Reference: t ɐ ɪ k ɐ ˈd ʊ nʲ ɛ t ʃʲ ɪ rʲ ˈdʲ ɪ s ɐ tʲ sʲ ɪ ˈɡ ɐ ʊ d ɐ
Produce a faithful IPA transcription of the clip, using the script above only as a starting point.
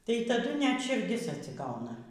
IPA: t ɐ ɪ t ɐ ˈd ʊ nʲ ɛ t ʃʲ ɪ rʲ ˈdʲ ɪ s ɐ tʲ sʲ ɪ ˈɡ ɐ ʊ n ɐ